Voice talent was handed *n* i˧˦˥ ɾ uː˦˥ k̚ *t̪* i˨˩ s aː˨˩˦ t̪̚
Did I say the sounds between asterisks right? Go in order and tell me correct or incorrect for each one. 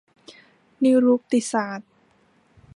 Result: correct, correct

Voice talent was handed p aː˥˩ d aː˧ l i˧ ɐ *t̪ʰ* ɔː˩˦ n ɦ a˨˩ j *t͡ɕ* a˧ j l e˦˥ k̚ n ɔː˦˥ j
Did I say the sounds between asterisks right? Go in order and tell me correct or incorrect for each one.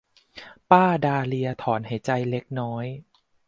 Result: correct, correct

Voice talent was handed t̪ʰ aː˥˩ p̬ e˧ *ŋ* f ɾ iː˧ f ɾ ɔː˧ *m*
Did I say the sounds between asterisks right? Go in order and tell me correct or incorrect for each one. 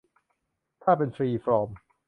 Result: incorrect, correct

